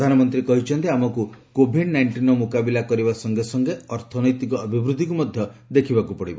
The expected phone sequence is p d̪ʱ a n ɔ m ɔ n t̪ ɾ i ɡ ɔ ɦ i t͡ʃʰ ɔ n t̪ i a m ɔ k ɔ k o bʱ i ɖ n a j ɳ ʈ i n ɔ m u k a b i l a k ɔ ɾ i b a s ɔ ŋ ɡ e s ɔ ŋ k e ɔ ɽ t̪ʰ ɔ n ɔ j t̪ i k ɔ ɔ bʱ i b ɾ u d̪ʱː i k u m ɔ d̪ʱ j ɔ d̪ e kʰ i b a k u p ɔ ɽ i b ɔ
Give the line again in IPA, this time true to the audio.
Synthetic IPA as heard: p d̪ʱ a n ɔ m ɔ n t̪ ɾ i k ɔ ɦ i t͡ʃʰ ɔ n t̪ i a m ɔ k u k o bʱ i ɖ n a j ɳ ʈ i n ɔ m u k a b i l a k ɔ ɾ i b a s ɔ ŋ ɡ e s ɔ ŋ ɡ e ɔ ɾ t̪ʰ ɔ n ɔ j t̪ i k ɔ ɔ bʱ i b ɾ u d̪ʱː i k u m ɔ d̪ʱ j ɔ d̪ e kʰ i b a k u p ɔ ɽ i b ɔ